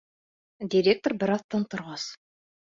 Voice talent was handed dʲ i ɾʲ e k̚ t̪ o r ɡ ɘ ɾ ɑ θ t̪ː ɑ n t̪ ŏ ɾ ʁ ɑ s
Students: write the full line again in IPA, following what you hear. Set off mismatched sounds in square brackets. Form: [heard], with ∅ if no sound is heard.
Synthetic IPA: dʲ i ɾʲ e k̚ t̪ o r [b] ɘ ɾ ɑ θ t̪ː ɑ n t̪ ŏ ɾ ʁ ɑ s